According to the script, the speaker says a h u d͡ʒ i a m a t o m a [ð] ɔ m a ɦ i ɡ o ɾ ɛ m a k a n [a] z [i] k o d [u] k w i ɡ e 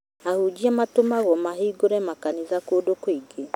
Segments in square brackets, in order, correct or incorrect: incorrect, incorrect, incorrect, incorrect

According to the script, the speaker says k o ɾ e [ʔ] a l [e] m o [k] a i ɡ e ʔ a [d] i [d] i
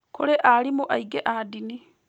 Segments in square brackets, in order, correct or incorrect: correct, incorrect, incorrect, correct, incorrect

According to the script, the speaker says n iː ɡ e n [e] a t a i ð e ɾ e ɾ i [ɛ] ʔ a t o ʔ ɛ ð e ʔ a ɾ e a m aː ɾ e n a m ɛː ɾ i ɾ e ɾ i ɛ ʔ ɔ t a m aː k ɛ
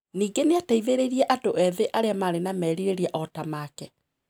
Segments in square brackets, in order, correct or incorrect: correct, correct

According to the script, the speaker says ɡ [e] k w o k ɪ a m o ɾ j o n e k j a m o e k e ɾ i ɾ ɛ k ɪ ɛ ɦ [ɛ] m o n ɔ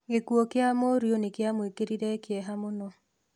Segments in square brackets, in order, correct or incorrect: correct, incorrect

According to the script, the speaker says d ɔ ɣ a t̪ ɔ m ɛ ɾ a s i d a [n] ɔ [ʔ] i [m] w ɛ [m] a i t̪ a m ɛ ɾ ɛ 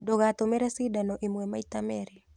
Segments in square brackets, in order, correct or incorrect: correct, correct, correct, correct

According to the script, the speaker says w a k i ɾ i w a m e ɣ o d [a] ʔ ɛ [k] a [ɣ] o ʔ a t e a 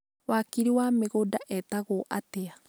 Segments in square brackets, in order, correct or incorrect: correct, incorrect, correct

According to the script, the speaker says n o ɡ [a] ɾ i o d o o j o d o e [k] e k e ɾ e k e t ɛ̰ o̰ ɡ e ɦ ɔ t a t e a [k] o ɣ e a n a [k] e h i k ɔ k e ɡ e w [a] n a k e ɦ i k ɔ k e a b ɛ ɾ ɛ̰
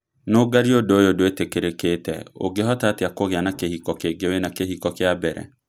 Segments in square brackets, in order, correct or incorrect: correct, incorrect, correct, correct, incorrect

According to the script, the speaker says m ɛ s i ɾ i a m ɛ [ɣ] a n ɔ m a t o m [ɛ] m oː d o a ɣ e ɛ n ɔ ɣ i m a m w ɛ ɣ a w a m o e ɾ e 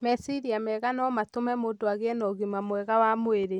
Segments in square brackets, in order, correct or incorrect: correct, correct

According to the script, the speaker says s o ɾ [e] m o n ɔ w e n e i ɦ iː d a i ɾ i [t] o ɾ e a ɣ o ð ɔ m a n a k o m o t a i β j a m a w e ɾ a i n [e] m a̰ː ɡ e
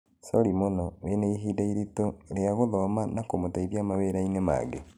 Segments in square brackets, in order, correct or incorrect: incorrect, correct, correct

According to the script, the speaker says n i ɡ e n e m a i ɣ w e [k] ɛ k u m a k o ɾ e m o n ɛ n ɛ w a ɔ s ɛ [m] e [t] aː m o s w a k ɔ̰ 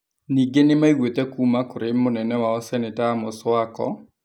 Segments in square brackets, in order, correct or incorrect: incorrect, incorrect, correct

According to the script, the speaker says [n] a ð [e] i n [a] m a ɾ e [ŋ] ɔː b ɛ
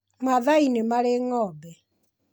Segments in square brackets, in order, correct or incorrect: incorrect, incorrect, incorrect, correct

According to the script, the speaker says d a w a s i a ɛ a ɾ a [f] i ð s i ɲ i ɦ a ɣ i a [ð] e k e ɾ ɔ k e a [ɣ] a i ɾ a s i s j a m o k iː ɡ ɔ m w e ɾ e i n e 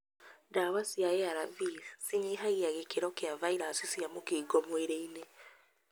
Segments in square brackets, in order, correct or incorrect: incorrect, incorrect, incorrect

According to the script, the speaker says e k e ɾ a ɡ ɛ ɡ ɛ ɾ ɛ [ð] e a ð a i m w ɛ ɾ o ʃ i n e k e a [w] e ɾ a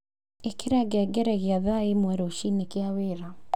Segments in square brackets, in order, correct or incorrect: incorrect, correct

